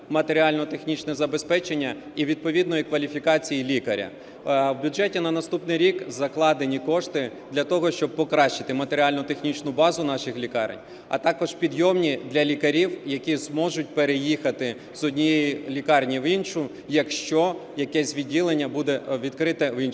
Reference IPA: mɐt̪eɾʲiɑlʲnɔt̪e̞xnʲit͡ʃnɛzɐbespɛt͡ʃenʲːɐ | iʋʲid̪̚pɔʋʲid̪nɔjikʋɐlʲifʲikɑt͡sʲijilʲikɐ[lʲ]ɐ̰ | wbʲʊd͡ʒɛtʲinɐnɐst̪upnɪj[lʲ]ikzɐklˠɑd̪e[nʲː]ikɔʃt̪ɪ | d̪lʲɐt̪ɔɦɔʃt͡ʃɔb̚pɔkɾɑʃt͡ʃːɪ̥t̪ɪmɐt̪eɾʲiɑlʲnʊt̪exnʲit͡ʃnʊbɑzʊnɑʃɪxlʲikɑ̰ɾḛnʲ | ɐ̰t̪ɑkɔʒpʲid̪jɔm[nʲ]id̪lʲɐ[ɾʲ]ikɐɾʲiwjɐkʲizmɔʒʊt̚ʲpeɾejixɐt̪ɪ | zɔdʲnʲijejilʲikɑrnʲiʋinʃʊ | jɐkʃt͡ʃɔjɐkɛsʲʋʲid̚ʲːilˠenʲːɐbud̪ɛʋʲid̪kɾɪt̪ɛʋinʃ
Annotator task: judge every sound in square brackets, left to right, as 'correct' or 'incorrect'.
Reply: incorrect: ɾʲ, incorrect: ɾʲ, incorrect: nʲ, correct, incorrect: lʲ

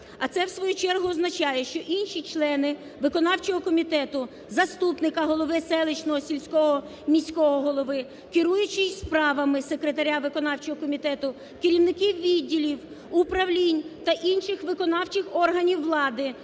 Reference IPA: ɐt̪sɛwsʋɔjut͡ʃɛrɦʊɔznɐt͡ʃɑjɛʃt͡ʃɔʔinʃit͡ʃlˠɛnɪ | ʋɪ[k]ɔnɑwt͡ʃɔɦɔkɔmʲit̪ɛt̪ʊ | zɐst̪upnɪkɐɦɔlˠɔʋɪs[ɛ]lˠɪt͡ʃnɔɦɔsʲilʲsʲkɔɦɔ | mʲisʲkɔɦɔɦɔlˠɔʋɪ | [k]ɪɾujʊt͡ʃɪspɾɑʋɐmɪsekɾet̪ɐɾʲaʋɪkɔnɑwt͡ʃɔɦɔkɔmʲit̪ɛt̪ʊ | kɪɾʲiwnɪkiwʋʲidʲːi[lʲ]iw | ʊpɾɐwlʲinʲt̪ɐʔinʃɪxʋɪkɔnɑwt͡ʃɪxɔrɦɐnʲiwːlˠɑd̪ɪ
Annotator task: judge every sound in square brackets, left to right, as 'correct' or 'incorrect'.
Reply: correct, correct, correct, correct

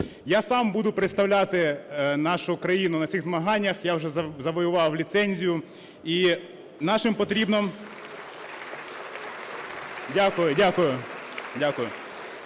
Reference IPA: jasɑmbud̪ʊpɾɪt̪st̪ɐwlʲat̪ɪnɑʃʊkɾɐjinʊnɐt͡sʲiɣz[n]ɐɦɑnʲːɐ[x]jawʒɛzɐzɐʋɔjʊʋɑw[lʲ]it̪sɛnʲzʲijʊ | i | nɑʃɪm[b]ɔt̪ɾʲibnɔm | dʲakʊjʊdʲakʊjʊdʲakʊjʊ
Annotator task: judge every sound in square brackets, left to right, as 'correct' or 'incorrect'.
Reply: incorrect: m, correct, correct, incorrect: p

